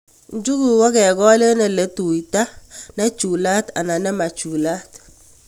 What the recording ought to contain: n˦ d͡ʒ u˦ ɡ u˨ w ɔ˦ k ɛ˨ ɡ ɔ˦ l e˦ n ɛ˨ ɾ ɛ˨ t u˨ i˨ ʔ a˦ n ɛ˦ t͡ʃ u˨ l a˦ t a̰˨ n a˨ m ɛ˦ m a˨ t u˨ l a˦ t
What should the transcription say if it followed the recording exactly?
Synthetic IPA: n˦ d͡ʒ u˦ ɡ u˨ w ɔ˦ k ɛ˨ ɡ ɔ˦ l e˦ n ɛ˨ l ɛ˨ t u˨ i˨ t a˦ n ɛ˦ t͡ʃ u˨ l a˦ t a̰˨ n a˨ n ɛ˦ m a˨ t͡ʃ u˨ l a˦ t